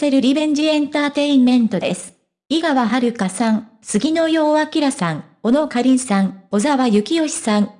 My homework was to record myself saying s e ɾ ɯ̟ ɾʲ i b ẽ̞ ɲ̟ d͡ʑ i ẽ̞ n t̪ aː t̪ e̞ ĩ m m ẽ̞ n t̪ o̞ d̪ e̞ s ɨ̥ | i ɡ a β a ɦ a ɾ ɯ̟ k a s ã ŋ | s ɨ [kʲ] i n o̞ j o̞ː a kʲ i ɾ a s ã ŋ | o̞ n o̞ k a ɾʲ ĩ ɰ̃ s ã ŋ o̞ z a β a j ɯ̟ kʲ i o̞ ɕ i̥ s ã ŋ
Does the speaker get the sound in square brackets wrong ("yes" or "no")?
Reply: yes